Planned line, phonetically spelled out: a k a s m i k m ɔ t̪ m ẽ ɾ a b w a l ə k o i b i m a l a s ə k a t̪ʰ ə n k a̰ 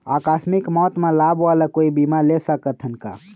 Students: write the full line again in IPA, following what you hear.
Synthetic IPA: a k a s m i k m ɔ t̪ m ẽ l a b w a l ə k o i b i m a l e s ə k ə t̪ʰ ə n k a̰

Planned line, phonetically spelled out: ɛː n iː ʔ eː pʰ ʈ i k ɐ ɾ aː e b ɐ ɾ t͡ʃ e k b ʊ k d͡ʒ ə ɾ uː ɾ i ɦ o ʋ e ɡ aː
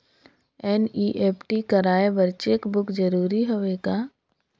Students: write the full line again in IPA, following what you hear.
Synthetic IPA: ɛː n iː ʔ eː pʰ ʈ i k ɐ ɾ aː e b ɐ ɾ t͡ʃ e k b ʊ k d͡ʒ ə ɾ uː ɾ i ɦ o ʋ e ɡ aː

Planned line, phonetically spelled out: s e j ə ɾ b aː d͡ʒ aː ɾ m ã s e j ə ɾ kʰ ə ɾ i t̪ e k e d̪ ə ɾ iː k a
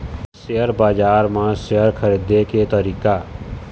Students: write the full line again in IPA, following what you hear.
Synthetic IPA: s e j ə ɾ b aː d͡ʒ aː ɾ m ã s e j ə ɾ kʰ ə ɾ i d̪ e k e t̪ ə ɾ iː k a

